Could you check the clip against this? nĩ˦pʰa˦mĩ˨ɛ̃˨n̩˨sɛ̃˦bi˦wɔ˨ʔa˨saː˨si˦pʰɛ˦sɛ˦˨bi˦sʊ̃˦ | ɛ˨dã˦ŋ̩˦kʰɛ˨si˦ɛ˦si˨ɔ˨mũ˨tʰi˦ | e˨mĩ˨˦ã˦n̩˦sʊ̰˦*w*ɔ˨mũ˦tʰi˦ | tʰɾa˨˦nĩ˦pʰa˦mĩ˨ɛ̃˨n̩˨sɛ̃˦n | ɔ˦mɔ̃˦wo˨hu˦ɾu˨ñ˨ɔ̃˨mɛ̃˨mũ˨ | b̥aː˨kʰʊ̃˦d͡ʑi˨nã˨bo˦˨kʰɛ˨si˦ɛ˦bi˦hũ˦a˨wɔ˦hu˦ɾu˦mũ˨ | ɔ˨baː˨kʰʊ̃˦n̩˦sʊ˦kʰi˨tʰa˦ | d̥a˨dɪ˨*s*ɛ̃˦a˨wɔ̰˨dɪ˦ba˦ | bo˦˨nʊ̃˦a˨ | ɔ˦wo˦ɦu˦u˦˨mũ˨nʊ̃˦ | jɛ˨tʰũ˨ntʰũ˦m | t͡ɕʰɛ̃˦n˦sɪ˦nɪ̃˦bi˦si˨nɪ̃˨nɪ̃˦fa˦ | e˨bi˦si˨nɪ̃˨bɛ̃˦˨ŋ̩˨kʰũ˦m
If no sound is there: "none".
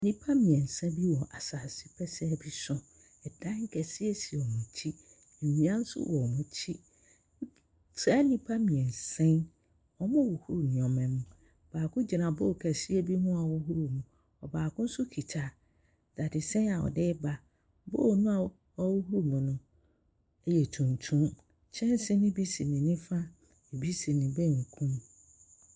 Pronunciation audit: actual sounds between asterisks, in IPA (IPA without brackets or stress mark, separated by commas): w, s